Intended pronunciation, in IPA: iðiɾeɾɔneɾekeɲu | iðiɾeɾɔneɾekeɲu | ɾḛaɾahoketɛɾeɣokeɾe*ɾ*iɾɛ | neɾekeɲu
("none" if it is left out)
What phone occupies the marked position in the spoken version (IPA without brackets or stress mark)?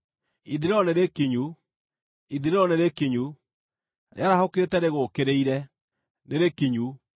none